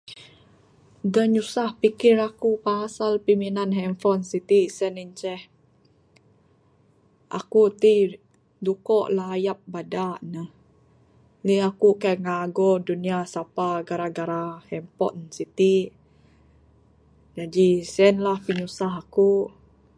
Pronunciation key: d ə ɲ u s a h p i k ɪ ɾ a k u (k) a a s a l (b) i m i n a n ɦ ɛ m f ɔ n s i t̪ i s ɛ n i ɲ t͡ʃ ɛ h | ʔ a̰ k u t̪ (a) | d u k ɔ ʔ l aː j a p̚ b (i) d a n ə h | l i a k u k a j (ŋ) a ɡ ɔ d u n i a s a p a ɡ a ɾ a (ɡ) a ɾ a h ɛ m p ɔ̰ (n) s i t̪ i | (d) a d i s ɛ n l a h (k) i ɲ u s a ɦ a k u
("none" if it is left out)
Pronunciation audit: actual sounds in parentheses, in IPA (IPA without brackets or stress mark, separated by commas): p, p, i, a, ŋ, ɡ, n, d͡ʒ, p